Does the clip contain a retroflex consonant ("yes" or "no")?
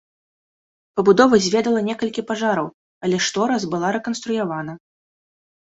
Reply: yes